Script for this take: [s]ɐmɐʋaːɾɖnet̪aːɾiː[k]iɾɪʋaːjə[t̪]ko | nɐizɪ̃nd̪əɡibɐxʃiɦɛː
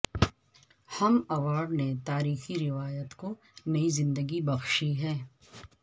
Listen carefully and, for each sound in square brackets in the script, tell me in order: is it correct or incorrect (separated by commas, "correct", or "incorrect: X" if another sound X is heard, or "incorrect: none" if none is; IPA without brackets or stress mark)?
incorrect: h, incorrect: x, correct